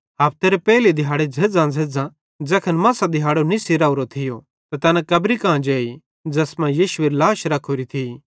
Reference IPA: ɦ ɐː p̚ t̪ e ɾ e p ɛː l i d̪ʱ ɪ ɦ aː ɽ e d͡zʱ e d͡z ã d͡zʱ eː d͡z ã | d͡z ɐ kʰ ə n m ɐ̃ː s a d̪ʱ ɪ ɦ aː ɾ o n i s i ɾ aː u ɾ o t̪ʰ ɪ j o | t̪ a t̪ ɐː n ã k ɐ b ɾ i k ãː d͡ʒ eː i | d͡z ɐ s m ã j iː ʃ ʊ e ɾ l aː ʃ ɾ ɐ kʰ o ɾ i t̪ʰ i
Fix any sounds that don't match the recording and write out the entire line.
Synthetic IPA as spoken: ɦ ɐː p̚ t̪ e ɾ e p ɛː l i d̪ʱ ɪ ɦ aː ɽ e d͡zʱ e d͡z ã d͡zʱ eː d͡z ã | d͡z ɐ kʰ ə n m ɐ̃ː s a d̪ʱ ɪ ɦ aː ɽ o n i s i ɾ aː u ɾ o t̪ʰ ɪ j o | t̪ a t̪ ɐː n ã k ɐ b ɾ i k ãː d͡ʒ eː i | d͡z ɐ s m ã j iː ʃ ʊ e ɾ l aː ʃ ɾ ɐ kʰ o ɾ i t̪ʰ i